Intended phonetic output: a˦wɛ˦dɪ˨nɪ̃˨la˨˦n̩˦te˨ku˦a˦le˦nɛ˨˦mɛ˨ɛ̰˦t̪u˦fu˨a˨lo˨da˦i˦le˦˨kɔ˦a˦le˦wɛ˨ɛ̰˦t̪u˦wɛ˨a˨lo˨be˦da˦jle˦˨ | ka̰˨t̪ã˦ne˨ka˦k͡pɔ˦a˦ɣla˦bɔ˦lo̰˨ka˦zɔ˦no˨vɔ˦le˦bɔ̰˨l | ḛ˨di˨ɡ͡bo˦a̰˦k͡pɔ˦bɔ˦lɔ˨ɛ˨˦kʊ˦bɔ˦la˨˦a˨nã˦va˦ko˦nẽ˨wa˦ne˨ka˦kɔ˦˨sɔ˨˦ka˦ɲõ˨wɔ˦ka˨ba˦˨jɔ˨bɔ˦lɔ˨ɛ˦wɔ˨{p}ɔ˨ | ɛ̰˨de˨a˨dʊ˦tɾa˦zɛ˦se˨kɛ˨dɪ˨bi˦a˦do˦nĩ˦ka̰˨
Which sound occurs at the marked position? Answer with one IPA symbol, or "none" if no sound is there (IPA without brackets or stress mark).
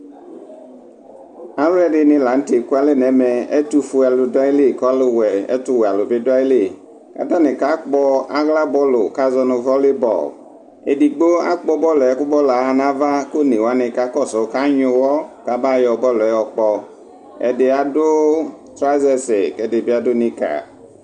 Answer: k͡p